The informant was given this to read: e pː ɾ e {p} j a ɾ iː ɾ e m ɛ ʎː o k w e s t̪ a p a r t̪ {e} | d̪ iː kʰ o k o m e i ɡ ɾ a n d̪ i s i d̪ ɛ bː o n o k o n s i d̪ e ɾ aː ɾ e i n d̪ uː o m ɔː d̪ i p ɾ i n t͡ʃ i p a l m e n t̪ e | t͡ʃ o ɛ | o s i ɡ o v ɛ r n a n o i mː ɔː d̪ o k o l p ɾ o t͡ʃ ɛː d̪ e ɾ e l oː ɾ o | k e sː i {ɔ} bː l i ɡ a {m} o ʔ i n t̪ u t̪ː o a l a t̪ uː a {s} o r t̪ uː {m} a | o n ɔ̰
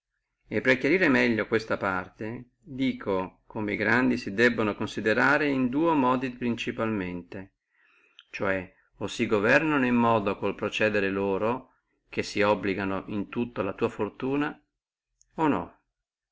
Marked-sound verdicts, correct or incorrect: incorrect, correct, correct, incorrect, incorrect, incorrect

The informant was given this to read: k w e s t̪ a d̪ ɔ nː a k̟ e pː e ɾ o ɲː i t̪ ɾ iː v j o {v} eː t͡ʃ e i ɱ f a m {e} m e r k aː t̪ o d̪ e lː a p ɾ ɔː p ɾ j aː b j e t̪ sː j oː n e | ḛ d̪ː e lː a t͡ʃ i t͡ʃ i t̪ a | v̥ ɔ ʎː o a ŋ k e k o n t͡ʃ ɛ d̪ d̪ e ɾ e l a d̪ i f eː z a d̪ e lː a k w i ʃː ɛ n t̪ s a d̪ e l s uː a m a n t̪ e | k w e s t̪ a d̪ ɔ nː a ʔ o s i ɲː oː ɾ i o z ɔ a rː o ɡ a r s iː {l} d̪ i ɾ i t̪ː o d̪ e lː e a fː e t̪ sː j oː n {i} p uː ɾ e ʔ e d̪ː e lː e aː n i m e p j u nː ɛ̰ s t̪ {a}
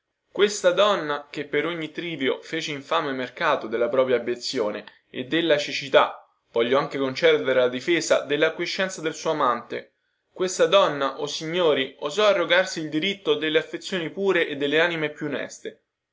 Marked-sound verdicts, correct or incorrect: incorrect, correct, correct, correct, incorrect

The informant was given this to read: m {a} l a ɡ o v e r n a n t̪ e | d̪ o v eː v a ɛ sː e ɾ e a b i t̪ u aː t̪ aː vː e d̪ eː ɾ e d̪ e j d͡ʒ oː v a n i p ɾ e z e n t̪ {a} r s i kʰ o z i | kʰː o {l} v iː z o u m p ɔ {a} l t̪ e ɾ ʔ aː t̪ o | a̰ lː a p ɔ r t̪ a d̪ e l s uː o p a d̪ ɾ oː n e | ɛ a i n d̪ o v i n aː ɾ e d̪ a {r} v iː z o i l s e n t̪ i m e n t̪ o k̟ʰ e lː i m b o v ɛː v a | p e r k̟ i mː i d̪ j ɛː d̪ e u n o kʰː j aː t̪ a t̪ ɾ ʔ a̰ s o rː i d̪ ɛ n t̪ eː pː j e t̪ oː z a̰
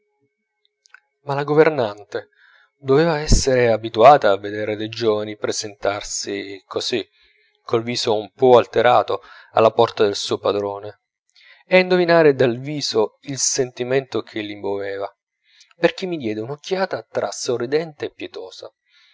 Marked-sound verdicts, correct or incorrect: correct, correct, correct, correct, incorrect

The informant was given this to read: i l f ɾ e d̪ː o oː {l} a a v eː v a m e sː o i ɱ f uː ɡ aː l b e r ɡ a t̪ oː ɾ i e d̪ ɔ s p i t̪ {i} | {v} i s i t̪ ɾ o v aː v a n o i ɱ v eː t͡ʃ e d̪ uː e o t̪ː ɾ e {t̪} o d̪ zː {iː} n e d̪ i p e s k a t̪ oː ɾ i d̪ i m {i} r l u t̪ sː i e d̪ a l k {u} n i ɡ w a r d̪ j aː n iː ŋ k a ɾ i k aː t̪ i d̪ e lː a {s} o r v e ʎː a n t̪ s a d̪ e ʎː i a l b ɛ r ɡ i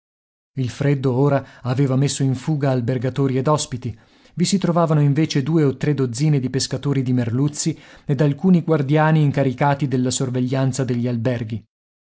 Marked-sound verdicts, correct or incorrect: incorrect, correct, correct, incorrect, correct, incorrect, incorrect, correct

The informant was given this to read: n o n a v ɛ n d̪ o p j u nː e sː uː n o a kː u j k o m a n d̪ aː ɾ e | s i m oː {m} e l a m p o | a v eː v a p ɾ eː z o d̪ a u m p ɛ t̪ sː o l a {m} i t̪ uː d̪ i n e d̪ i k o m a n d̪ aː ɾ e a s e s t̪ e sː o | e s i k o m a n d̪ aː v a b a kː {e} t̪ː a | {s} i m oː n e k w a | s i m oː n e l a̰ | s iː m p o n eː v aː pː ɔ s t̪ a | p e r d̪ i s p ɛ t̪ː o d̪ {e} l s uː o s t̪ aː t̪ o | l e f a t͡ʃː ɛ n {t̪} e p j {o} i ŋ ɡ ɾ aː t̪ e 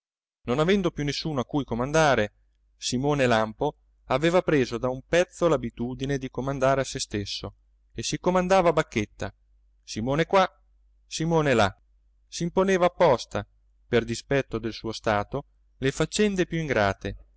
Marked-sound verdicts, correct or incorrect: incorrect, incorrect, correct, correct, correct, incorrect, incorrect

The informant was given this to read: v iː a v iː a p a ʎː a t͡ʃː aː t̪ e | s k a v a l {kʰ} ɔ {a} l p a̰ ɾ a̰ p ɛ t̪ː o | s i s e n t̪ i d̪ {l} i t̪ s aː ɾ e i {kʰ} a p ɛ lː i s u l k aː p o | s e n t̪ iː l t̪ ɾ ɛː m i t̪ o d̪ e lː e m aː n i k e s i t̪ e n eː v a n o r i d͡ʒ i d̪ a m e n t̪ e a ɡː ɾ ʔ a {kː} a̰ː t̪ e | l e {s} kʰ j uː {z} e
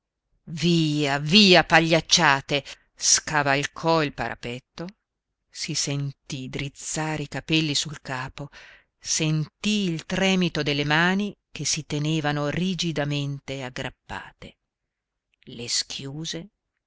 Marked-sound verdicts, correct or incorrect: correct, incorrect, incorrect, incorrect, incorrect, correct, correct

